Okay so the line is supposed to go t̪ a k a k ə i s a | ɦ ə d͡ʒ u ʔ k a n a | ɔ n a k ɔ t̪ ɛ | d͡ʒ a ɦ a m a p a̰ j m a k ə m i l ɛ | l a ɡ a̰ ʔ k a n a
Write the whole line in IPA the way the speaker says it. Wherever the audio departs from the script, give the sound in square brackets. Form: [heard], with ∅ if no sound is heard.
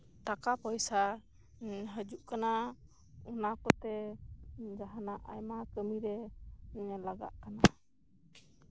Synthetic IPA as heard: t̪ a k a [p] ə [j] s a | ɦ ə d͡ʒ u ʔ k a n a | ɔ n a k ɔ t̪ ɛ | d͡ʒ a ɦ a [n] a [ʔ] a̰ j m a k ə m i [ɾ] ɛ | l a ɡ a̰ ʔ k a n a